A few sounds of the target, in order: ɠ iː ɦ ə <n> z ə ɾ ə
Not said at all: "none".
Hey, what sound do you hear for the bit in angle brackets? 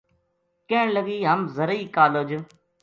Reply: m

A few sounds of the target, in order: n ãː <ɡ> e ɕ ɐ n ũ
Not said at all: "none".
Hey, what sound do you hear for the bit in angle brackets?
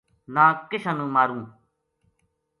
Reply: k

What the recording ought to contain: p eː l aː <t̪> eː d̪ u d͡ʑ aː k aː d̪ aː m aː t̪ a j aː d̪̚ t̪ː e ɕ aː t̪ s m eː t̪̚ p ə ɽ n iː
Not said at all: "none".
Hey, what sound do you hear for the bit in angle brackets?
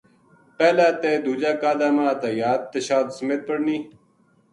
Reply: t̪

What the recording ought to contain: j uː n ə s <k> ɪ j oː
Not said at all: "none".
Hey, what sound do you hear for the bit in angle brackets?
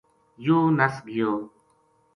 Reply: ɡ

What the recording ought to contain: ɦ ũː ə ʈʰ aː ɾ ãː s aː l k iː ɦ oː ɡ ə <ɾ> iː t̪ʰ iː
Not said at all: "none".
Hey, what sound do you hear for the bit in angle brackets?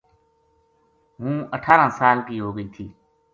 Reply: none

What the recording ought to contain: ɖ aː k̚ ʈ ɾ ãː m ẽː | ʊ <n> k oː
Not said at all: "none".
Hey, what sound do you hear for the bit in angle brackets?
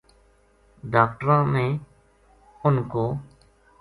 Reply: n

